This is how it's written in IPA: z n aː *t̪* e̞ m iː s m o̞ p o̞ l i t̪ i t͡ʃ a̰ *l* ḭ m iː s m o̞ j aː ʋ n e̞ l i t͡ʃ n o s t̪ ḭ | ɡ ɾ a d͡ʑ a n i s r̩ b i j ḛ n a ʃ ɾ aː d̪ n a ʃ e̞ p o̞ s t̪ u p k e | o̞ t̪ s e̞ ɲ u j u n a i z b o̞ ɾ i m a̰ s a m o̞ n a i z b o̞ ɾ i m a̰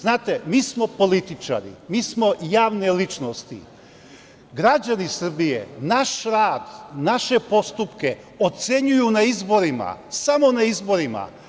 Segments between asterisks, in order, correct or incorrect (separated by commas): correct, incorrect